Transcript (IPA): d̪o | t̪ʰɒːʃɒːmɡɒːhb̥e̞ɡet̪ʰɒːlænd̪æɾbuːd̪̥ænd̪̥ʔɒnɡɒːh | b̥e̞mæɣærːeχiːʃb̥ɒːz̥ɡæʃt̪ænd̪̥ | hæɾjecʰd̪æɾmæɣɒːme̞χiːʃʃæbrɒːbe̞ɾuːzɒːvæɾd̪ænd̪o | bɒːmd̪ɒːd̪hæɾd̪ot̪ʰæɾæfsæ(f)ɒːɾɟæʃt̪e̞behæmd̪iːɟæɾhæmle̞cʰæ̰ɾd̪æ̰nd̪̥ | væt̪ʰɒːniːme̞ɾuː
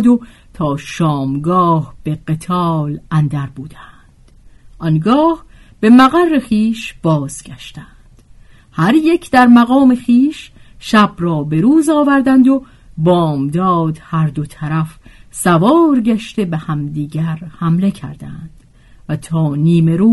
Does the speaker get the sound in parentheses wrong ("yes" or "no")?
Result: yes